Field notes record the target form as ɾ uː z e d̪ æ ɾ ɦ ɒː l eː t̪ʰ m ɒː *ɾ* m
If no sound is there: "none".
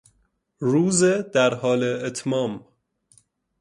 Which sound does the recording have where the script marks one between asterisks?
none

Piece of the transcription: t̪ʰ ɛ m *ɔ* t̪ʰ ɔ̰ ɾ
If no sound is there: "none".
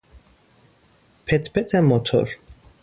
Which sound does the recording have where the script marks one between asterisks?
ɔ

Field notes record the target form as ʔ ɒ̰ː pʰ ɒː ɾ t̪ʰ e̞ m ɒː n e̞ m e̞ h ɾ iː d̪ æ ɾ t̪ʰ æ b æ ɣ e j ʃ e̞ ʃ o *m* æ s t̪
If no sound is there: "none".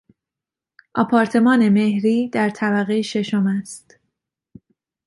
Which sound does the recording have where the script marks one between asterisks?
m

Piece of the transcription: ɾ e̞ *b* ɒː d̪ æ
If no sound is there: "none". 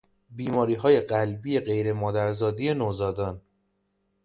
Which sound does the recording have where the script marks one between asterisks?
m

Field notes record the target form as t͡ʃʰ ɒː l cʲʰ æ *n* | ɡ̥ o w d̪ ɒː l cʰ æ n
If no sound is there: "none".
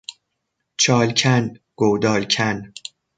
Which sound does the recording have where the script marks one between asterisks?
n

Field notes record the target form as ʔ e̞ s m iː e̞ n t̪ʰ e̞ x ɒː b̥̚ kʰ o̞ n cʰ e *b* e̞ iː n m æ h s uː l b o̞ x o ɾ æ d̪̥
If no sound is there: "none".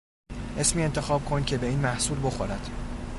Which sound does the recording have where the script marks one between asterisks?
b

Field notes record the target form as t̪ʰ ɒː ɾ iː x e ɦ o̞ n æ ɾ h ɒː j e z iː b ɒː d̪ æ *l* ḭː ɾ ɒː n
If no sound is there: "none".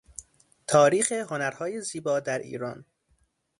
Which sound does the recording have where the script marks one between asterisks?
ɾ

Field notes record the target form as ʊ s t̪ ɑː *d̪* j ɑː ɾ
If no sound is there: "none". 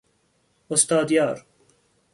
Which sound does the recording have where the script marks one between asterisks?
d̪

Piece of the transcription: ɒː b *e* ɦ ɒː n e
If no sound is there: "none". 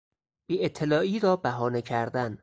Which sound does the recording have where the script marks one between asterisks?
æ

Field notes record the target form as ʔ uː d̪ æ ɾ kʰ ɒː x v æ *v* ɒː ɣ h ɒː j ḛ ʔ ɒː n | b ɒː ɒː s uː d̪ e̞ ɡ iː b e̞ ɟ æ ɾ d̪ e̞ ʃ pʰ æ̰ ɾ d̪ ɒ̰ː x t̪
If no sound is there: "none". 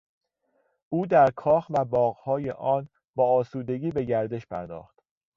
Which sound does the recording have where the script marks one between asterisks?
b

